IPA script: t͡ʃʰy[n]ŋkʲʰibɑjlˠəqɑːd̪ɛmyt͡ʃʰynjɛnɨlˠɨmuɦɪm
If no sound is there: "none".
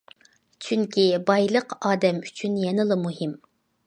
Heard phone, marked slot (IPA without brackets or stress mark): none